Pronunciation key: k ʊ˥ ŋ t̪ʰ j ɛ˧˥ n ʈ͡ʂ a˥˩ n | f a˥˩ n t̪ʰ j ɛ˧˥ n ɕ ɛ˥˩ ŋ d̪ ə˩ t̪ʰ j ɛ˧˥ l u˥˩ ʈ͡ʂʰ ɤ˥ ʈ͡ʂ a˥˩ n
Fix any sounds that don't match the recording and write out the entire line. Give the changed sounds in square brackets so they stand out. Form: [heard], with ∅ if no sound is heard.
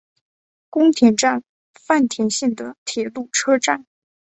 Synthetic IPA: k ʊ˥ ŋ t̪ʰ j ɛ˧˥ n ʈ͡ʂ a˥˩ n | f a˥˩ n t̪ʰ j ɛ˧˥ n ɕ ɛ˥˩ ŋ d̪ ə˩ t̪ʰ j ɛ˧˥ l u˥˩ ʈ͡ʂʰ ɤ˥ ʈ͡ʂ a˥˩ n